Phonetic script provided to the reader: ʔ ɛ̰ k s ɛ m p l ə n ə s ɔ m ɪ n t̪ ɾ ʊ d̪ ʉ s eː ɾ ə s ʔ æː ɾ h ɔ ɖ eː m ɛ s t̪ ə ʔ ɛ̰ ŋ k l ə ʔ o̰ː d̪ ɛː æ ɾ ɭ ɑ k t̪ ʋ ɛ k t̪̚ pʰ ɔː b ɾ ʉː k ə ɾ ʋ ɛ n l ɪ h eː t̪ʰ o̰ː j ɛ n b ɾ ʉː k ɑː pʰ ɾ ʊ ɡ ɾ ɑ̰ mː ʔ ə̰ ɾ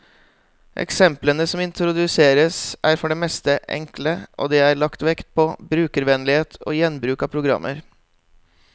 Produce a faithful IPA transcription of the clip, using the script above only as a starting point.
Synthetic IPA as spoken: ʔ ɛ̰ k s ɛ m p l ə n ə s ɔ m ɪ n t̪ ɾ ʊ d̪ ʉ s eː ɾ ə s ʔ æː ɾ f ɔ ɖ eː m ɛ s t̪ ə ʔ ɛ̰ ŋ k l ə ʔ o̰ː d̪ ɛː æ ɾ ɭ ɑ k t̪ ʋ ɛ k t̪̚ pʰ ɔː b ɾ ʉː k ə ɾ ʋ ɛ n l ɪ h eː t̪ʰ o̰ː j ɛ n b ɾ ʉː k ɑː pʰ ɾ ʊ ɡ ɾ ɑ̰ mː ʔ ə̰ ɾ